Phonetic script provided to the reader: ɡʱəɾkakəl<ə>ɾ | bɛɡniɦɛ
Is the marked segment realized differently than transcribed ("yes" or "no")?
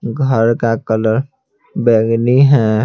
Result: no